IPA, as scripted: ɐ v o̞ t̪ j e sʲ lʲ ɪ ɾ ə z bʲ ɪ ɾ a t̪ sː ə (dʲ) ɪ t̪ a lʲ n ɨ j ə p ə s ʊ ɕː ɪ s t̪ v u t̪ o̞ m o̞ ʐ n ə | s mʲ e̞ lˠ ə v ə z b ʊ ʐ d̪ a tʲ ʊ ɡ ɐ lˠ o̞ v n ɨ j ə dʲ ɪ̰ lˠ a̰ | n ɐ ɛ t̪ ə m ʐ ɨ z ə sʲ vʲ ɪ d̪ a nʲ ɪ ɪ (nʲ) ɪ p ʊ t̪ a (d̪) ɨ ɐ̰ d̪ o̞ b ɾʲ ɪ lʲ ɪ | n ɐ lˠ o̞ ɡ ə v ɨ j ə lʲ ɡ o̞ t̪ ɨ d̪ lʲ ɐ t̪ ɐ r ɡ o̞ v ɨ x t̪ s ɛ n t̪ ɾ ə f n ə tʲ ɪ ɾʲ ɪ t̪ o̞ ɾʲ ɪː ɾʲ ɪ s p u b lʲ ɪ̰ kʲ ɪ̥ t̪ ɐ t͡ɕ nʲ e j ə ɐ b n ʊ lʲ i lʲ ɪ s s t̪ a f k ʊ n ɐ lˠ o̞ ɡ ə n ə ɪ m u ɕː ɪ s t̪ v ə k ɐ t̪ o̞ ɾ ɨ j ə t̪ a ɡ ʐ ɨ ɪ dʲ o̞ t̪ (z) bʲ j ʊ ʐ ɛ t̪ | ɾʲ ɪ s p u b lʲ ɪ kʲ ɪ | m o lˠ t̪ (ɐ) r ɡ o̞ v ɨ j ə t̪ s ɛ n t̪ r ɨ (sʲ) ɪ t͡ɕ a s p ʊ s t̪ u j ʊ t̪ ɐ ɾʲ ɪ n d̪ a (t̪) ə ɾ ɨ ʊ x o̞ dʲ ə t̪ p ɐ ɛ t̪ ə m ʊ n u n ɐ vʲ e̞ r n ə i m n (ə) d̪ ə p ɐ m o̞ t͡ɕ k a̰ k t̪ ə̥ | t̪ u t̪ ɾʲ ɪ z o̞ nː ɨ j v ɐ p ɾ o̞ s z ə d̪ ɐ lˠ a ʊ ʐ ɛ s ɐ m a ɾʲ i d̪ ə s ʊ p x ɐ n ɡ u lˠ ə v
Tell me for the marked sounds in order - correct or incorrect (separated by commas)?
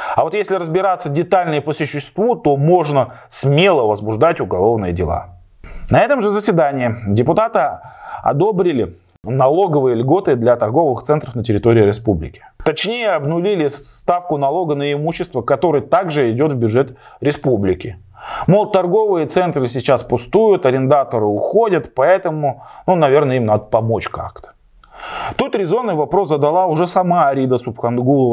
correct, incorrect, incorrect, incorrect, correct, correct, correct, incorrect